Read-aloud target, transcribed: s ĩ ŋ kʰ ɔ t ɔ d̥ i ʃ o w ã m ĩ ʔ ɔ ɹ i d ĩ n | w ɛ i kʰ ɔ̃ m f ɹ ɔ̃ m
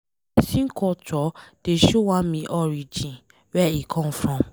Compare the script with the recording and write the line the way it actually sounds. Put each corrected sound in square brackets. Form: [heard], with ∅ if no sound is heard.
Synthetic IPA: s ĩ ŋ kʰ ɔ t ɔ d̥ [e] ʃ o w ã m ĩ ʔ ɔ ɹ i [d͡ʒ] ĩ n | w ɛ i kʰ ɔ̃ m f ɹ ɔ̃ m